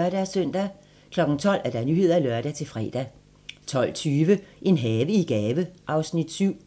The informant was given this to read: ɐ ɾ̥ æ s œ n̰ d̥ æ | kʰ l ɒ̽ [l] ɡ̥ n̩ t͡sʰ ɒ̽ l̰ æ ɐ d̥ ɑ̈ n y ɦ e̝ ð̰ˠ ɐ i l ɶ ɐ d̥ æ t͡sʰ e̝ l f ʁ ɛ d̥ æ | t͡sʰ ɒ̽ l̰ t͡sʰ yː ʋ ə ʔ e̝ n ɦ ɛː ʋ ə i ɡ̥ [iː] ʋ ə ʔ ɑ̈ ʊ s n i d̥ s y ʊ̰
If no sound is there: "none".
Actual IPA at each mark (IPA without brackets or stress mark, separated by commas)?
none, ɛː